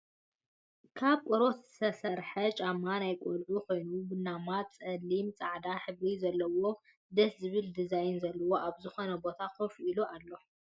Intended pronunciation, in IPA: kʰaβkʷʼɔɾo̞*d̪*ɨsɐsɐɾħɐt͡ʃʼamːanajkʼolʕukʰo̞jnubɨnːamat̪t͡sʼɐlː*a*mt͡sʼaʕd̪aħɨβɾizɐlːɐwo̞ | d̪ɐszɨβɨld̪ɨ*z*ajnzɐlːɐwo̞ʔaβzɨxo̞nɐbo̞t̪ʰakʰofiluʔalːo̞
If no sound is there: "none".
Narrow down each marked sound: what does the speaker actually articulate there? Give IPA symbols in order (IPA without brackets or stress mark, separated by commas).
t̪, i, z